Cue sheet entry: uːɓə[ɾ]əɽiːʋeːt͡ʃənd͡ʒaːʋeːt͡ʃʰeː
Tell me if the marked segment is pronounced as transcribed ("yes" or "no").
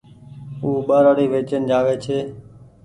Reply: yes